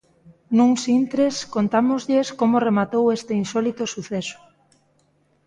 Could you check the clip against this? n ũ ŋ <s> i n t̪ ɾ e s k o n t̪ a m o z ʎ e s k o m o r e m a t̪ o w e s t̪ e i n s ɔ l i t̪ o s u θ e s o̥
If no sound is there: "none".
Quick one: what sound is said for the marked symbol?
s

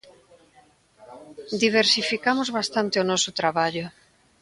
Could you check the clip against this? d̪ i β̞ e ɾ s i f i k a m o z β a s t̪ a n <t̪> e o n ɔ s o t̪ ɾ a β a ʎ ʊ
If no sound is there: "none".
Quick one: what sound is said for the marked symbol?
t̪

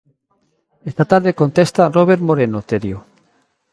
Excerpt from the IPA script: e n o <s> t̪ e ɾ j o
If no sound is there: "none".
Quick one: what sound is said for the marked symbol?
none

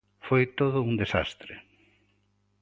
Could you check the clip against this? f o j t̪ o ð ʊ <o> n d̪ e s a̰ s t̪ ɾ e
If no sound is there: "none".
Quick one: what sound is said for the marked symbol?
u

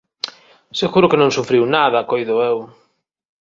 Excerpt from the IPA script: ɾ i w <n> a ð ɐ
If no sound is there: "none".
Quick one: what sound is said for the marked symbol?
n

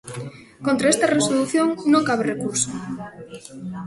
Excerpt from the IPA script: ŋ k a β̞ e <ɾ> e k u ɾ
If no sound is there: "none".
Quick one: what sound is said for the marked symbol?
r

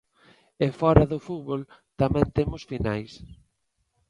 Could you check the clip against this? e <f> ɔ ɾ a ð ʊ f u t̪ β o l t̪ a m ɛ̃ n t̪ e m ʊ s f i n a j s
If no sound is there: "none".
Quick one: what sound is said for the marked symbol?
f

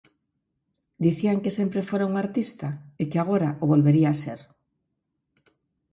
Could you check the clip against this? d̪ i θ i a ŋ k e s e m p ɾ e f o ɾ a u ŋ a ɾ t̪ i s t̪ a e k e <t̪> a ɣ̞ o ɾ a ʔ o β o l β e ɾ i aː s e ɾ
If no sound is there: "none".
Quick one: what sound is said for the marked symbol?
none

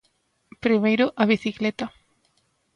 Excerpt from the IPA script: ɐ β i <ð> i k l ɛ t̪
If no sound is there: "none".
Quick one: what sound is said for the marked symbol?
θ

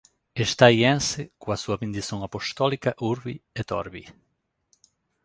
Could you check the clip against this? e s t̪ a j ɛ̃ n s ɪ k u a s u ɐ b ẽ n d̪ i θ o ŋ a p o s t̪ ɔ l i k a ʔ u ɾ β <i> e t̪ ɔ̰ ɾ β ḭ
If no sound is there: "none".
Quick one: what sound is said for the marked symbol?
i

